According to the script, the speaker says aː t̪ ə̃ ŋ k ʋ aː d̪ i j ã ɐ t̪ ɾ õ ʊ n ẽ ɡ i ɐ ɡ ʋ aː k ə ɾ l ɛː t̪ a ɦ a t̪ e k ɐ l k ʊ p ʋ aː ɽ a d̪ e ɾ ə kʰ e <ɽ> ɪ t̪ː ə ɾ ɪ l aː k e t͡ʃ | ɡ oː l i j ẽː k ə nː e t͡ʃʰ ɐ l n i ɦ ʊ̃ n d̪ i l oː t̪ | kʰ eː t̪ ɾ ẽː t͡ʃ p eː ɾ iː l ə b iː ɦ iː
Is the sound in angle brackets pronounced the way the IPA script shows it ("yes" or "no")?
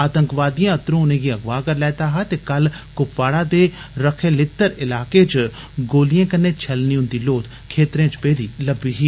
no